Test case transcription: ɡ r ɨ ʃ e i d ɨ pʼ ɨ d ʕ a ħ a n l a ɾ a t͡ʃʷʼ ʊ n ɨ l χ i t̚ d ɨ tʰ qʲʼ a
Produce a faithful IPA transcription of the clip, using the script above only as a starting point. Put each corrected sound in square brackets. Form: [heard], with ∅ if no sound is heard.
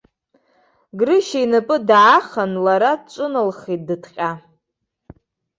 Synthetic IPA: ɡ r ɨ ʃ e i [n] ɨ pʼ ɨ d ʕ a [χ] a n l a ɾ a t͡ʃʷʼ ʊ n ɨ l χ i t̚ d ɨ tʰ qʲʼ a